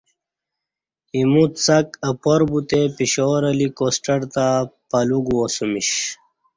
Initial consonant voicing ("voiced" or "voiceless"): voiced